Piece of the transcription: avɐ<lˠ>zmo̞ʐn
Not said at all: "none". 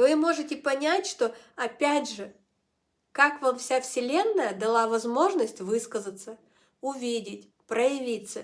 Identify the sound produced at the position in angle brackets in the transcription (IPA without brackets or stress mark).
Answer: none